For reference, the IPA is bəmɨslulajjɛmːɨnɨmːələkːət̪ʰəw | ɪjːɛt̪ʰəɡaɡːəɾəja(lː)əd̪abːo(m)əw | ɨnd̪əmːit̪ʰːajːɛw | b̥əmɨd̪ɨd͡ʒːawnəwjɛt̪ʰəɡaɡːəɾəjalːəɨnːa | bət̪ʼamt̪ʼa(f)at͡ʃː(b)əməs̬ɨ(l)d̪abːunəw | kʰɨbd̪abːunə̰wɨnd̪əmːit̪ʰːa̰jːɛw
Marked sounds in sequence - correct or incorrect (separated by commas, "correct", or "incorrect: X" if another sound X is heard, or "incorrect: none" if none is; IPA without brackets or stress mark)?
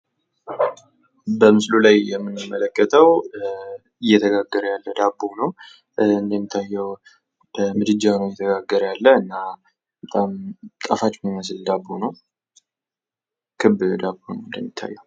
correct, incorrect: n, correct, incorrect: m, correct